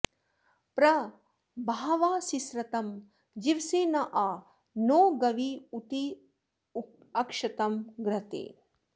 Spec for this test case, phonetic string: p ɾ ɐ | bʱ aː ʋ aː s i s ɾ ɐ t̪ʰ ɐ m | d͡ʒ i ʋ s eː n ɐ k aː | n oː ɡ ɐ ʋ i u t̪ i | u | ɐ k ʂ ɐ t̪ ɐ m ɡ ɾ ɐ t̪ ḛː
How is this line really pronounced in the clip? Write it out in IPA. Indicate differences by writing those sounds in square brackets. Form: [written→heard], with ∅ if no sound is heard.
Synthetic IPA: p ɾ ɐ | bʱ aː ʋ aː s i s ɾ ɐ [t̪ʰ→t̪] ɐ m | d͡ʒ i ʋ s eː n ɐ [k→ʔ] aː | n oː ɡ ɐ ʋ i u t̪ i | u | ɐ k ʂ ɐ t̪ ɐ m ɡ ɾ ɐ t̪ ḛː